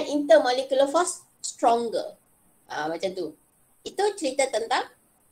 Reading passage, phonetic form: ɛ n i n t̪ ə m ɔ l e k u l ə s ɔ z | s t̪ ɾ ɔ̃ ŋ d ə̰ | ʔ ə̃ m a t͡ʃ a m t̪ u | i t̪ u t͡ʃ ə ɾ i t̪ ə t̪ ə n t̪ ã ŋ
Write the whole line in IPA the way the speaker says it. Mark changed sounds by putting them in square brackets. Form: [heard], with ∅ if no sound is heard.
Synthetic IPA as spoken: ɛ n i n t̪ ə m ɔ l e k u l ə [f] ɔ [s] | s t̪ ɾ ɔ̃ ŋ [ɡ] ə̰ | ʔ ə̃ m a t͡ʃ a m t̪ u | i t̪ u t͡ʃ ə ɾ i t̪ ə t̪ ə n t̪ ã ŋ